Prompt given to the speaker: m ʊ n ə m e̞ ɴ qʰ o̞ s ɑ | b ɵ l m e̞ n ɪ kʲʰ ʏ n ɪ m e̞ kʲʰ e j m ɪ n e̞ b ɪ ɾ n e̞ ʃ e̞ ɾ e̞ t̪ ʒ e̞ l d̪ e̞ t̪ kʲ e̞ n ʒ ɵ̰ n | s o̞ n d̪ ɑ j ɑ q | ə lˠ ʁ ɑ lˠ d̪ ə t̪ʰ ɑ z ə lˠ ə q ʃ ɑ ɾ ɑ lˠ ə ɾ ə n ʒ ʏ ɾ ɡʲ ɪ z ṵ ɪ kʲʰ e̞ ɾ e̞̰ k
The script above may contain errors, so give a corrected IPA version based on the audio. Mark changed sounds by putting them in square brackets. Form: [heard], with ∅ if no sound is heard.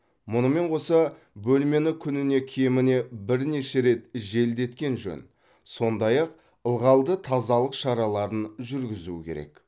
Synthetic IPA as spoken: m ʊ n ə m e̞ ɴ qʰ o̞ s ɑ | b ɵ l m e̞ n ɪ kʲʰ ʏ n ɪ [n] e̞ kʲʰ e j m ɪ n e̞ b ɪ ɾ n e̞ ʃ e̞ ɾ e̞ t̪ ʒ e̞ l d̪ e̞ t̪ kʲ e̞ n ʒ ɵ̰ n | s o̞ n d̪ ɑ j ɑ q | ə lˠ ʁ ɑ lˠ d̪ ə t̪ʰ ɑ z [ɑ] lˠ ə q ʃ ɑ ɾ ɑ lˠ [ɑ] ɾ ə n ʒ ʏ ɾ ɡʲ ɪ z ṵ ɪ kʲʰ e̞ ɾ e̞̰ k